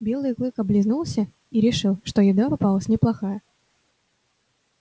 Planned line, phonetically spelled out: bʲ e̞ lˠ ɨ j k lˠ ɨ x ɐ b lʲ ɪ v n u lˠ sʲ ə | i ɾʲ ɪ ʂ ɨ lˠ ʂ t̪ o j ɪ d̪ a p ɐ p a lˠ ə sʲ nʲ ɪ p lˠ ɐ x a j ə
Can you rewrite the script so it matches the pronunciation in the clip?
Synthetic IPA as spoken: bʲ e̞ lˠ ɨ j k lˠ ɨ k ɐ b lʲ ɪ z n u lˠ sʲ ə | i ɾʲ ɪ ʂ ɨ lˠ ʂ t̪ o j ɪ d̪ a p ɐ p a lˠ ə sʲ nʲ ɪ p lˠ ɐ x a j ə